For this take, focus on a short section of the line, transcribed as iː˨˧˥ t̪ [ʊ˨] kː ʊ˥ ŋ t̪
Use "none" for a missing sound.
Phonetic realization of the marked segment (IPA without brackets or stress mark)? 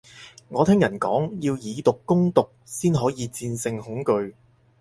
ʊ˨